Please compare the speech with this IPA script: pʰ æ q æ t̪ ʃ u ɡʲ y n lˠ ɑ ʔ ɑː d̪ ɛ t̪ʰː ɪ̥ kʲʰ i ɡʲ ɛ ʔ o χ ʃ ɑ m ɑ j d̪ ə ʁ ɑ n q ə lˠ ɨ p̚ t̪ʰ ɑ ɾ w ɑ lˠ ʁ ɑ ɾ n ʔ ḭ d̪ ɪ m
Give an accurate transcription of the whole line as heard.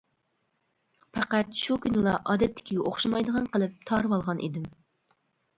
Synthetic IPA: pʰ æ q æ t̪ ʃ u kʲ y n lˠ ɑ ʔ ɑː d̪ ɛ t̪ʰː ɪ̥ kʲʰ i ɡʲ ɛ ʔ o χ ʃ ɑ m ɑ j d̪ ə ʁ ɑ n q ə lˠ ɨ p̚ t̪ʰ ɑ ɾ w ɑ lˠ ʁ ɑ n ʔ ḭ d̪ ɪ m